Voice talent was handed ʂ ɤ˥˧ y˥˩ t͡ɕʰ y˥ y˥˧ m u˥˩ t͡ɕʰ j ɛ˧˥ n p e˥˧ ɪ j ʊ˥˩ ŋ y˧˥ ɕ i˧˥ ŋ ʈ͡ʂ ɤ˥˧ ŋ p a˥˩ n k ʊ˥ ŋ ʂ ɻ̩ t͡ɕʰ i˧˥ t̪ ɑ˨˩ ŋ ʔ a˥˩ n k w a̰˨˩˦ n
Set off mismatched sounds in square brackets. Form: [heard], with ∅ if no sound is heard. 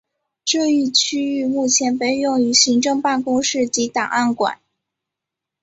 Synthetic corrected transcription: [ʈ͡ʂ] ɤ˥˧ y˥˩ t͡ɕʰ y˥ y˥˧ m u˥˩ t͡ɕʰ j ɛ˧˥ n p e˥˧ ɪ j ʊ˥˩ ŋ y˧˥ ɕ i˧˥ ŋ ʈ͡ʂ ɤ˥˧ ŋ p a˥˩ n k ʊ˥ ŋ ʂ ɻ̩ [t͡ɕ] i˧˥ t̪ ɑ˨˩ ŋ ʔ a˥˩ n k w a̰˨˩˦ n